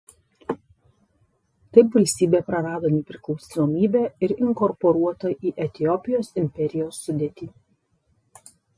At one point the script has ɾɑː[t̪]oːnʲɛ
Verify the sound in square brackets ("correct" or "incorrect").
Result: incorrect